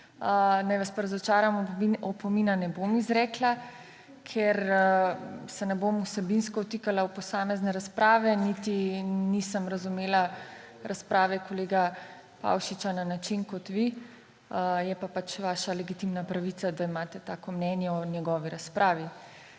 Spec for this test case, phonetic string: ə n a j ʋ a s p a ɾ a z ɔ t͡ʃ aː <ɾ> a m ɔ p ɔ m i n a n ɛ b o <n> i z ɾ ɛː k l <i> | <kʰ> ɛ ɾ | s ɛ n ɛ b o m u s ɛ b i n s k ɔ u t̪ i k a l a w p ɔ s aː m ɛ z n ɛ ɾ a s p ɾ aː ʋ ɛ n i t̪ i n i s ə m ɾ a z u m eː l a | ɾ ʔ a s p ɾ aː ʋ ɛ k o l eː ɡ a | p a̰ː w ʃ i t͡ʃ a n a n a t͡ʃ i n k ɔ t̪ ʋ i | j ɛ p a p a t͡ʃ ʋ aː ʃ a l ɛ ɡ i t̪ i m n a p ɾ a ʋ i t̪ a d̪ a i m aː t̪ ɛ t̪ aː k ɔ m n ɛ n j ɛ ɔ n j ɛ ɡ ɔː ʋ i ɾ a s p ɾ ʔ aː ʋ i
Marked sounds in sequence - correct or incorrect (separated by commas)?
correct, incorrect, incorrect, correct